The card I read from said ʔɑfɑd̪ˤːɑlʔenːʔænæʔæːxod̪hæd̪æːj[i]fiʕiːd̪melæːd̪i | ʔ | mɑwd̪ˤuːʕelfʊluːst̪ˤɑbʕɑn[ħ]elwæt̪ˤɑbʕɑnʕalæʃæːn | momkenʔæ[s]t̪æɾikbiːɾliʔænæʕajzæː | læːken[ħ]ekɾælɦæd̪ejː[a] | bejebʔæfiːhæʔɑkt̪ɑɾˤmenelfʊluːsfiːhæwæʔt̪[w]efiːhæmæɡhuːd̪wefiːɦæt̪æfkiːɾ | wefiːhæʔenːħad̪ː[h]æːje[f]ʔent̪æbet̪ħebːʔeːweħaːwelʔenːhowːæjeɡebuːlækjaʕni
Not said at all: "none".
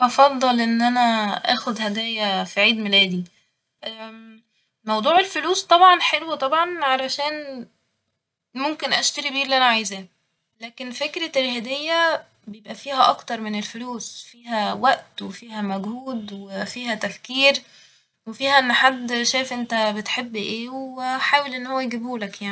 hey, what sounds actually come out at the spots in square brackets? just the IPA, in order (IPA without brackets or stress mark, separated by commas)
æ, ħ, ʃ, f, æ, w, ʃ, f